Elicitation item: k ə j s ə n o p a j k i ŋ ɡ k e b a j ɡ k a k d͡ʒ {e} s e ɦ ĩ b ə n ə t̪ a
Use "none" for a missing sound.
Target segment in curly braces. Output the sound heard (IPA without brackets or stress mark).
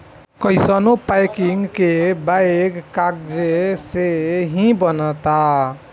e